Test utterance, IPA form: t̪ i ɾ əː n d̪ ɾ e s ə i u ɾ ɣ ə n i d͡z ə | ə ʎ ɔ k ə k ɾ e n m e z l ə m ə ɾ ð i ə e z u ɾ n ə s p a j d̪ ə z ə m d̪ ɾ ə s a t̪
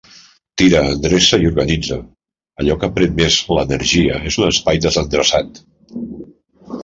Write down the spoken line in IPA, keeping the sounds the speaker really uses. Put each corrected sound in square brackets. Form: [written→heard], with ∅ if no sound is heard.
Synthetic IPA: t̪ i ɾ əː n d̪ ɾ e s ə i u ɾ ɣ ə n i d͡z ə | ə ʎ ɔ k ə [k→p] ɾ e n m e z l ə [m→n] ə ɾ [ð→ʒ] i ə e z u [ɾ→∅] n ə s p a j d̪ ə z ə [m→n] d̪ ɾ ə s a t̪